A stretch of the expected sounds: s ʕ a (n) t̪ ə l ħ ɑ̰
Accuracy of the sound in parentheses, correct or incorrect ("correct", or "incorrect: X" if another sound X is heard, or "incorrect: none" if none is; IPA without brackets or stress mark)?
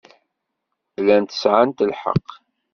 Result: correct